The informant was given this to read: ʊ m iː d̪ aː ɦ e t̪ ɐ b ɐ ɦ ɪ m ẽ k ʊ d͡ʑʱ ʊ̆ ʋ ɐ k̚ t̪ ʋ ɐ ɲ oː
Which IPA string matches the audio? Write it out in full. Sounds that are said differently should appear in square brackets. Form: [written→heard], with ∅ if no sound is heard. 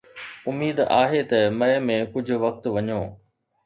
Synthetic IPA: ʊ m iː d̪ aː ɦ e t̪ ɐ [b→m] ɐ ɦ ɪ m ẽ k ʊ d͡ʑʱ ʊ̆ ʋ ɐ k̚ t̪ ʋ ɐ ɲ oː